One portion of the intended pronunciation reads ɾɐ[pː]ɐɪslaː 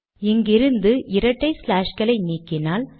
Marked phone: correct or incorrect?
incorrect